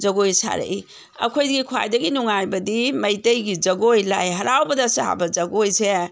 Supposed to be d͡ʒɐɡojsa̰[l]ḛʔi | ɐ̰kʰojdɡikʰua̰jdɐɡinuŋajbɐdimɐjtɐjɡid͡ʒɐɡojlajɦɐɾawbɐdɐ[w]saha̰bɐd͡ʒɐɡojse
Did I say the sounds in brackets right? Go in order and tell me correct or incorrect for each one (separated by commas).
incorrect, incorrect